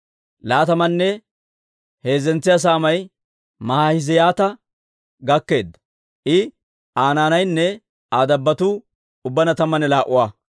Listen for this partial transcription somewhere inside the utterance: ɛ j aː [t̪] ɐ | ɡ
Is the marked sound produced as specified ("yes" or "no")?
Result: yes